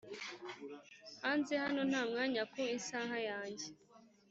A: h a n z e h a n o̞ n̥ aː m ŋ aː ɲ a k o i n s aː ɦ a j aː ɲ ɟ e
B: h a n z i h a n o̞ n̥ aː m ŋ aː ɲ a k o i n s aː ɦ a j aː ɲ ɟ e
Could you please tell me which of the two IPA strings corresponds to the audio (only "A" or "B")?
A